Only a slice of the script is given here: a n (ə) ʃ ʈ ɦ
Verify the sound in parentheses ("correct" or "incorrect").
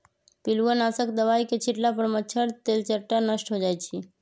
correct